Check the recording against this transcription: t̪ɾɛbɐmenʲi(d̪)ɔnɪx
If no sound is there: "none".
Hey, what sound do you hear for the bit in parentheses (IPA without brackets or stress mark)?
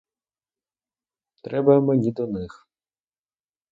d̪